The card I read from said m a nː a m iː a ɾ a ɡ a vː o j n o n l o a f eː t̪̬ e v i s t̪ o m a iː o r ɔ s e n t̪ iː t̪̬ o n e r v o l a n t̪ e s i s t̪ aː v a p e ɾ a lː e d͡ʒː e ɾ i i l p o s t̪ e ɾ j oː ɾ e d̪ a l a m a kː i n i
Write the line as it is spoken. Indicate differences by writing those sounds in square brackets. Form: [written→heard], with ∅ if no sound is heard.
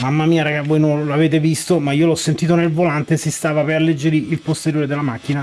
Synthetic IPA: m a [nː→mː] a m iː a ɾ a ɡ a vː o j n o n l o a [f→v] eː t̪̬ e v i s t̪ o m a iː o [r→l] ɔ [s→sː] e n t̪ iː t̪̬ o n e [r→l] v o l a n t̪ e s i s t̪ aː v a p e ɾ a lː e d͡ʒː e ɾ i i l p o s t̪ e ɾ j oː ɾ e d̪ [a→e] l a m a kː i n [i→a]